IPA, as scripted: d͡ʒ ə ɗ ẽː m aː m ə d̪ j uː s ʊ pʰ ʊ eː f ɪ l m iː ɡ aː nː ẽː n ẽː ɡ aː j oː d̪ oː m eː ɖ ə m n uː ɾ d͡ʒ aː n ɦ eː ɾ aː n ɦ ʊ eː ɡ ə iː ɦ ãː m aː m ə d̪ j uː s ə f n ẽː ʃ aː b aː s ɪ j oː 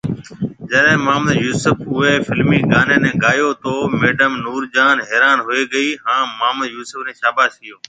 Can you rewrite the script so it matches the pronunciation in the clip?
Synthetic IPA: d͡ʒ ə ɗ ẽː m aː m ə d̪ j uː s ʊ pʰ ʊ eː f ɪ l m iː ɡ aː n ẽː n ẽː ɡ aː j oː t̪ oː m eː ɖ ə m n uː ɾ d͡ʒ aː n ɦ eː ɾ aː n ɦ ʊ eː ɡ ə iː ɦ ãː m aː m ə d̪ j uː s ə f n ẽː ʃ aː b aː s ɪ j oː